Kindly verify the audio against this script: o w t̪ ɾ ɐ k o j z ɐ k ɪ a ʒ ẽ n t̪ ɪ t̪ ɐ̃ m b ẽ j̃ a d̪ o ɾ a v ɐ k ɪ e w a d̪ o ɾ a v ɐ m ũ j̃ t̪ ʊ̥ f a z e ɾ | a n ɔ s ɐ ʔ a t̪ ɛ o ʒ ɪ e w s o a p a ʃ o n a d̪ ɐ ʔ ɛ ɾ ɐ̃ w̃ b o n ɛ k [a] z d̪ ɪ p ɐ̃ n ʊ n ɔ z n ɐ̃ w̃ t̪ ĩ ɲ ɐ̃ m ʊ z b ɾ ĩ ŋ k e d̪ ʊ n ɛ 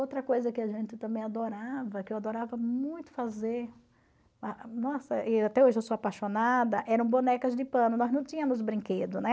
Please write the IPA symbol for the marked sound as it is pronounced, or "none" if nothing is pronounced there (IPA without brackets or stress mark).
ɐ